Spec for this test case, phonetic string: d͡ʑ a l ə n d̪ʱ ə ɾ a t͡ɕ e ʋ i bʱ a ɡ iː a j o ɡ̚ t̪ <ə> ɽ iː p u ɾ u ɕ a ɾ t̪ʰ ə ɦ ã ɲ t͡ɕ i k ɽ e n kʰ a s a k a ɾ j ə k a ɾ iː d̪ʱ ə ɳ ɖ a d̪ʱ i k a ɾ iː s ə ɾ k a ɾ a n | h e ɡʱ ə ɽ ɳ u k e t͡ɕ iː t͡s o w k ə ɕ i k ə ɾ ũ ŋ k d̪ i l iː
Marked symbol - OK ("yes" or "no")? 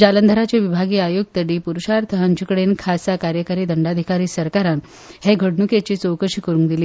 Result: yes